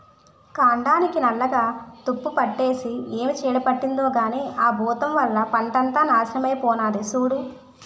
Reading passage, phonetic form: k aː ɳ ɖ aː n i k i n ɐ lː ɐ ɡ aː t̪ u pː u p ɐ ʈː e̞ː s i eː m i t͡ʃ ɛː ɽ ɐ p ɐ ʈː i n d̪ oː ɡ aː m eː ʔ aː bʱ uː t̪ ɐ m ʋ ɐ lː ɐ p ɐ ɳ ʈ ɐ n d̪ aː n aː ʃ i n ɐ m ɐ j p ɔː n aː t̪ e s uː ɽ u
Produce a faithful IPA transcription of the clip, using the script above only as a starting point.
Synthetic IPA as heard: k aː ɳ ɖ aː n i k i n ɐ lː ɐ ɡ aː t̪ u pː u p ɐ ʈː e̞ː s i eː m i t͡ʃ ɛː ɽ ɐ p ɐ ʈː i n d̪ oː ɡ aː n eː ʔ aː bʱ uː t̪ ɐ m ʋ ɐ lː ɐ p ɐ ɳ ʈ ɐ n t̪ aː n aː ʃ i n ɐ m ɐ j p ɔː n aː d̪ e s uː ɽ u